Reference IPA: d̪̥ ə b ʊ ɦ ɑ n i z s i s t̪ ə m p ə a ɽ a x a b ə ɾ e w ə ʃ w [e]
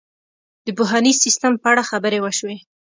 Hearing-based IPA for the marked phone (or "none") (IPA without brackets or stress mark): e